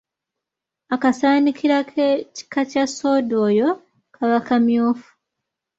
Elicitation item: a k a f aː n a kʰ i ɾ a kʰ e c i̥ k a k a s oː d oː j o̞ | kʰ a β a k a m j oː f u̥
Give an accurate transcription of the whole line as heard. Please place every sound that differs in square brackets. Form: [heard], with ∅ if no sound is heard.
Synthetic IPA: a k a [s] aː n [i] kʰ i ɾ a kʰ e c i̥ k a [c] a s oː d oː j o̞ | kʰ a β a k a m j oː f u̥